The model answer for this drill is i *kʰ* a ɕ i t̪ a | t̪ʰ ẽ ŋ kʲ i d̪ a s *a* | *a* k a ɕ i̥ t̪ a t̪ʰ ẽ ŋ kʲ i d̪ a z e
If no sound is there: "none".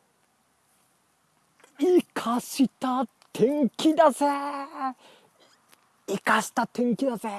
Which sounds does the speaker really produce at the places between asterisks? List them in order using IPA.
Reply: kʰ, e, i

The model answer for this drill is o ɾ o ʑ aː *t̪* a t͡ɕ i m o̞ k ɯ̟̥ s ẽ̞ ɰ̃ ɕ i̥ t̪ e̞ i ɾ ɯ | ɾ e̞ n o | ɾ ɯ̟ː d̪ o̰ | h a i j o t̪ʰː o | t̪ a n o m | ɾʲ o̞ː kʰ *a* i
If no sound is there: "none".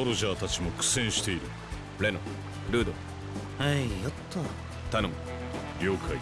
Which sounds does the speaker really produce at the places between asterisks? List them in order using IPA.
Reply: t̪, a

